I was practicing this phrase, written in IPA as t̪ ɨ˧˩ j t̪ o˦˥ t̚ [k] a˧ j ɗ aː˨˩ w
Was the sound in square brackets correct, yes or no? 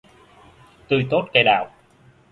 yes